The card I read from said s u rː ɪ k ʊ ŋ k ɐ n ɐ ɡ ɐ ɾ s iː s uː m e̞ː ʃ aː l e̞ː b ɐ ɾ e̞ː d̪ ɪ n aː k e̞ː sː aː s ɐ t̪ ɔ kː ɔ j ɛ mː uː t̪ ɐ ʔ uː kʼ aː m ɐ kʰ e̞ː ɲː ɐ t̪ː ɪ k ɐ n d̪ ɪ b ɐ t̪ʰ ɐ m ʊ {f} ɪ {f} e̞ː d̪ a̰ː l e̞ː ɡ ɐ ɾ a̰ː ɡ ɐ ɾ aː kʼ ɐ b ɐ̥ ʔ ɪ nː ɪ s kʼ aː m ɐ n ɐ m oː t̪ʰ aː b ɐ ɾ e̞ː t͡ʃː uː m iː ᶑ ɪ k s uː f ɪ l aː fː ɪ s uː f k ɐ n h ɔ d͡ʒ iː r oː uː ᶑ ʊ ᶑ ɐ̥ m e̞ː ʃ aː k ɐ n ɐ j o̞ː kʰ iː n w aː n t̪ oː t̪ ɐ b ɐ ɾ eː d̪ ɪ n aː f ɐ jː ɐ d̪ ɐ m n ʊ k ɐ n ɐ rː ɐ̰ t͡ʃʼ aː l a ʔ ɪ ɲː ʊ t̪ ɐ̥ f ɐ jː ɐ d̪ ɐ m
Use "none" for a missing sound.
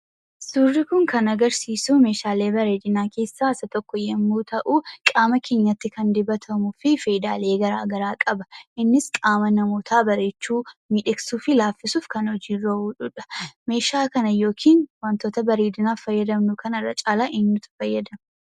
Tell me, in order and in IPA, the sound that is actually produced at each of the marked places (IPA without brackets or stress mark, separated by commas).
f, f